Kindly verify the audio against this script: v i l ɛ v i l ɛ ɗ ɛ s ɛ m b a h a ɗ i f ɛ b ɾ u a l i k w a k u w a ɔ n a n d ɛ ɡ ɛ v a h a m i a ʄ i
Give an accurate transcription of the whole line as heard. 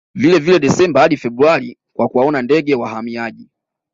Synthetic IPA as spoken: v i l ɛ v i l ɛ ɗ ɛ s ɛ m b a h a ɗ i f ɛ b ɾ u a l i k w a k u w a ɔ n a n d ɛ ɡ ɛ w a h a m i a ʄ i